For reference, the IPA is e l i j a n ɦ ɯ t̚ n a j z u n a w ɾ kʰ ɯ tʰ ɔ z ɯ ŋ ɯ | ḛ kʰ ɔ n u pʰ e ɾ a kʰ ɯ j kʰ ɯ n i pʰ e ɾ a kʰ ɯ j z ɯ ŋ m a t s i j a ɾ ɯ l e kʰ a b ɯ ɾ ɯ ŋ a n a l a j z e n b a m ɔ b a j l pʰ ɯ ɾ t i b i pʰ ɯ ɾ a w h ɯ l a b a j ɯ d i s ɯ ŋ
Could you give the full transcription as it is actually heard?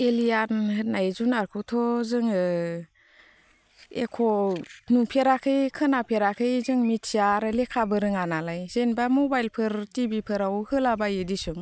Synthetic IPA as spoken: e l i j a n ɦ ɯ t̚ n a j z u n a ɾ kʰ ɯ tʰ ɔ z ɯ ŋ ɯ | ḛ kʰ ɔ n u pʰ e ɾ a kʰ ɯ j kʰ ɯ n a pʰ e ɾ a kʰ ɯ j z ɯ ŋ m i t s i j a ɾ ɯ l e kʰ a b ɯ ɾ ɯ ŋ a n a l a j z e n b a m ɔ b a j l pʰ ɯ ɾ t i b i pʰ ɯ ɾ a w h ɯ l a b a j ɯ d i s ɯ ŋ

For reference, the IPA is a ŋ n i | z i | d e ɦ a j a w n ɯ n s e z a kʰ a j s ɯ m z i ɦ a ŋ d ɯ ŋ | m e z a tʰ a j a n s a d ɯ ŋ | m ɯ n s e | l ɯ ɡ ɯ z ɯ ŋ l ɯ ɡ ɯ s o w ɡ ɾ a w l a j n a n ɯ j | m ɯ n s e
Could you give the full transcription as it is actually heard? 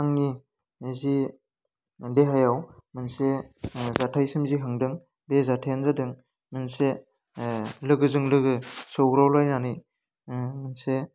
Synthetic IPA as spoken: a ŋ n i | z i | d e ɦ a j a w m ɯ n s e z a tʰ a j s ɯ m z i ɦ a ŋ d ɯ ŋ | b e z a tʰ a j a n z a d ɯ ŋ | m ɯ n s e | l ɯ ɡ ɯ z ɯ ŋ l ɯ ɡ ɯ s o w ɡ ɾ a w l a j n a n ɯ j | m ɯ n s e

